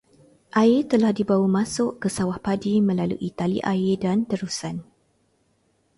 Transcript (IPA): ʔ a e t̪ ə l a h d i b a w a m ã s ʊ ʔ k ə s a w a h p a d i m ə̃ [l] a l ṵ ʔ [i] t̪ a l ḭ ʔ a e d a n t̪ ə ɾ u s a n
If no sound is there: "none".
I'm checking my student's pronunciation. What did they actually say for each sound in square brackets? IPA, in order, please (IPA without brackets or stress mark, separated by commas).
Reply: l, i